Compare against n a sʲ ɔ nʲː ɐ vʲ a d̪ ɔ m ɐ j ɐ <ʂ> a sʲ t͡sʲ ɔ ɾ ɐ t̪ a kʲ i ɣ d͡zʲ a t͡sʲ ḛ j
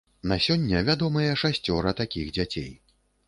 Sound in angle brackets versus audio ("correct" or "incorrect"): correct